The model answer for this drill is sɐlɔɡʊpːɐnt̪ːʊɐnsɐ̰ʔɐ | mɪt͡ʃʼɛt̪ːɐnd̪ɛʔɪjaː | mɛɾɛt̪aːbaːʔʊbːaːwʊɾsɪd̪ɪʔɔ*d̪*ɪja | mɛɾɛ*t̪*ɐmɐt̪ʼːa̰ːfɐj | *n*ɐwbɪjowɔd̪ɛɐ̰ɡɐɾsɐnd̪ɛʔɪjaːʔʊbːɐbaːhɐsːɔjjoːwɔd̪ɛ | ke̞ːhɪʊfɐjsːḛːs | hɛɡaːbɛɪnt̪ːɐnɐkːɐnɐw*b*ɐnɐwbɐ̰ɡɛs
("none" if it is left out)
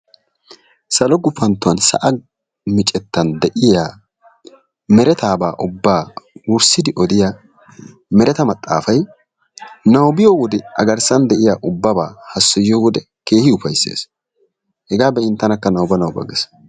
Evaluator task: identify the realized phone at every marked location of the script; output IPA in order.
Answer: d̪, t̪, n, b

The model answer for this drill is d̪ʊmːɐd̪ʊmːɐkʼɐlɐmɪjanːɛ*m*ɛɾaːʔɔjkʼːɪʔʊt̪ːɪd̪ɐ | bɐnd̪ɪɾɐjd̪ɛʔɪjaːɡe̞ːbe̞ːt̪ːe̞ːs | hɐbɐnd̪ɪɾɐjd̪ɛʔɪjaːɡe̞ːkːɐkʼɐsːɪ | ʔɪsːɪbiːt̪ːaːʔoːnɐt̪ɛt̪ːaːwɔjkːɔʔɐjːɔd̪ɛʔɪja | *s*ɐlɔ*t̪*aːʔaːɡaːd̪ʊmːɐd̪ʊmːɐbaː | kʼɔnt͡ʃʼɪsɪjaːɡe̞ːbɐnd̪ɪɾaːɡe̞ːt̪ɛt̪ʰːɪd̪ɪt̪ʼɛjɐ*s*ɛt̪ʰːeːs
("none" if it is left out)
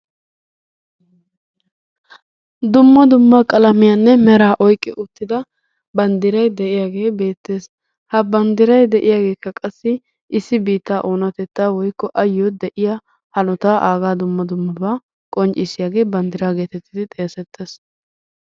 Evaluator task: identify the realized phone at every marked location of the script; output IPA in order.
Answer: m, h, t̪, s

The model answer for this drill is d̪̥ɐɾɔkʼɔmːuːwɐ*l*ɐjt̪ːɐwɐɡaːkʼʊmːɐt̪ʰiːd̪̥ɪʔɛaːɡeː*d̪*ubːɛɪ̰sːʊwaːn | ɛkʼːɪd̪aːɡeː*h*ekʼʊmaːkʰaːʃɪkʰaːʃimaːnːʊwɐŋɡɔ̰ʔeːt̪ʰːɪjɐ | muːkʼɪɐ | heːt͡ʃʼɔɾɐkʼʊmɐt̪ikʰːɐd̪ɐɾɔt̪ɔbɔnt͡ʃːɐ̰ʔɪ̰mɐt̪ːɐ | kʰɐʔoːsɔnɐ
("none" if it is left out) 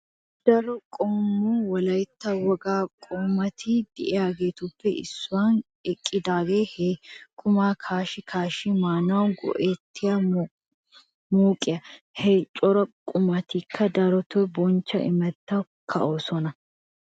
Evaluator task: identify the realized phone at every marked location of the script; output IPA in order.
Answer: l, t̪, h

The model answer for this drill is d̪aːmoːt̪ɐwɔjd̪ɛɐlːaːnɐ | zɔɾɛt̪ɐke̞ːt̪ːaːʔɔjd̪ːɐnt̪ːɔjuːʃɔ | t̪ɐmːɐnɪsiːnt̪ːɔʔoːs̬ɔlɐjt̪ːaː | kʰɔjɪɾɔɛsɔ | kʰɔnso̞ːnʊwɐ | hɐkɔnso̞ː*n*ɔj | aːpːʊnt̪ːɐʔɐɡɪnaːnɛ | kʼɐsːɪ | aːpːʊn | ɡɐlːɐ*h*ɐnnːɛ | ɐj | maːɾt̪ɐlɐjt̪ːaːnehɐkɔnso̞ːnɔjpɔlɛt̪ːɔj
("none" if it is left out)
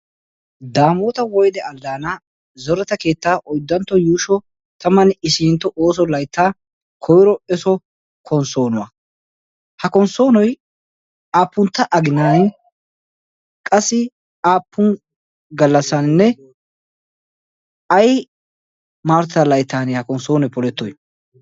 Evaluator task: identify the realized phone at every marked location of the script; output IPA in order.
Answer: n, s

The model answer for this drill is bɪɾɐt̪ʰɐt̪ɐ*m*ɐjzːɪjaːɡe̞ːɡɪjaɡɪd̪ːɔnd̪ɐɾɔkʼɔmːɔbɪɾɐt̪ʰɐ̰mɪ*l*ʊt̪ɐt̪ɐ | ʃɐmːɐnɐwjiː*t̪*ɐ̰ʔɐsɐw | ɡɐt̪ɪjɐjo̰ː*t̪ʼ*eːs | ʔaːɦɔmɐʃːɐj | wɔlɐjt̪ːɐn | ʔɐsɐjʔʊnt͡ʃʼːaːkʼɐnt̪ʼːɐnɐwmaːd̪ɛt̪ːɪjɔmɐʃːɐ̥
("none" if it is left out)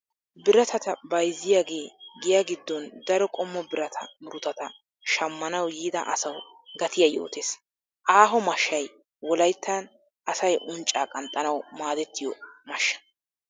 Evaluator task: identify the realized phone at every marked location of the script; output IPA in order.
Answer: b, ɾ, d̪, t̪

